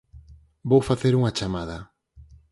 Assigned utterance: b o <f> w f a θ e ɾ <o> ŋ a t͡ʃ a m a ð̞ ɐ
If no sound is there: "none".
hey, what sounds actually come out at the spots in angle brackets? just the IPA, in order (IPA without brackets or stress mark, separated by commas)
none, u